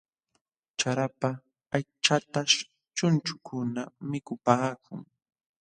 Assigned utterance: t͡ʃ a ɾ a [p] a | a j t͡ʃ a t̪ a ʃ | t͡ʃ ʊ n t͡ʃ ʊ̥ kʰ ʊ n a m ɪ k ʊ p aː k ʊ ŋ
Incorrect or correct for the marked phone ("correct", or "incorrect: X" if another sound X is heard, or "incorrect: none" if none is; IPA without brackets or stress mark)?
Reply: correct